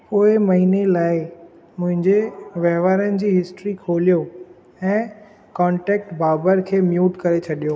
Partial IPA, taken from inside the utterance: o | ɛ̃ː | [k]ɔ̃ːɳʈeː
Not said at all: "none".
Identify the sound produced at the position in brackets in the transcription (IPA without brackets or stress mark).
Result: k